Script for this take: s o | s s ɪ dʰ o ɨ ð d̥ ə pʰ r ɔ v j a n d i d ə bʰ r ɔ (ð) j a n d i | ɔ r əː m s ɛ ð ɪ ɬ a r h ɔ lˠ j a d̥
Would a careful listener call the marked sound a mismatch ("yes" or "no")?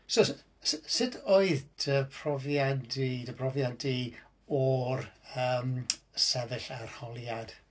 yes